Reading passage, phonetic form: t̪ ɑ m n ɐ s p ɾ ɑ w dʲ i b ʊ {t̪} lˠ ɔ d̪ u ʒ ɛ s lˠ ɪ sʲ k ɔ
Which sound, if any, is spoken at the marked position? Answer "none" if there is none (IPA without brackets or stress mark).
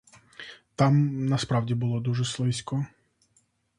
none